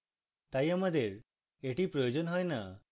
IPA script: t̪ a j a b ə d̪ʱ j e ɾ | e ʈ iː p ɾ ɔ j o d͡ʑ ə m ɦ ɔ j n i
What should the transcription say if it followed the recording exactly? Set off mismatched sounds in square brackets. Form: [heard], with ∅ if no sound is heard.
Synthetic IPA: t̪ a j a [m] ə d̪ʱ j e ɾ | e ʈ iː p ɾ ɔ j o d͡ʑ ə [n] ɦ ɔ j n [a]